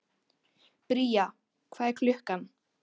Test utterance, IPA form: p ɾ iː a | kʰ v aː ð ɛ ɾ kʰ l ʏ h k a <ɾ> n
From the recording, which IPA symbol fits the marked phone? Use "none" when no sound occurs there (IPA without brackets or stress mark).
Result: none